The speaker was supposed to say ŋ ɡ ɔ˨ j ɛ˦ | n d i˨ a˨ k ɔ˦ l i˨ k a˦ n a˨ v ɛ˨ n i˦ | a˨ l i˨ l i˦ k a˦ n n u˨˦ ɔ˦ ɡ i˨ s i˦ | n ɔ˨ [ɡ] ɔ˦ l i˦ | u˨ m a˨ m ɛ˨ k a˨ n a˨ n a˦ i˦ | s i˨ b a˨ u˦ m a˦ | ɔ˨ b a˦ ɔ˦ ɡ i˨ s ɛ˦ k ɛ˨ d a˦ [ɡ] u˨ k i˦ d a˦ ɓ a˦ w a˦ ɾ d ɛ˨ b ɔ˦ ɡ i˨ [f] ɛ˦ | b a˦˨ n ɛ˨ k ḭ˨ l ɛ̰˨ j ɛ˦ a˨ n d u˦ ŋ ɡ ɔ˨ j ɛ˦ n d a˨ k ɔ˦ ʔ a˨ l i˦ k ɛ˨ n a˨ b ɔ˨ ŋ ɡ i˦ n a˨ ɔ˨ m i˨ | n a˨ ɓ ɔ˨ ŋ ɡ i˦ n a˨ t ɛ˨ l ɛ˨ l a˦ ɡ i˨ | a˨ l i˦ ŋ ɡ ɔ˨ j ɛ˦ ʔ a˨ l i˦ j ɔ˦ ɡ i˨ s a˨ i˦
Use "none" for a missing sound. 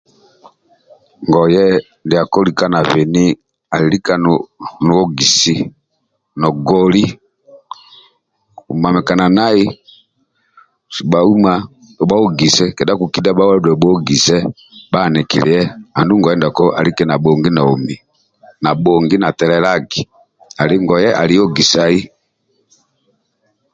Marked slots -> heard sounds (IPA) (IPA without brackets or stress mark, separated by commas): ɡ, k, s